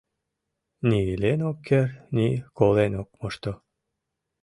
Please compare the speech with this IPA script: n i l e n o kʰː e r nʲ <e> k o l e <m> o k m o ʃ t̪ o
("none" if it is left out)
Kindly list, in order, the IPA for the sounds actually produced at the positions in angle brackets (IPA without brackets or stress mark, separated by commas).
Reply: i, n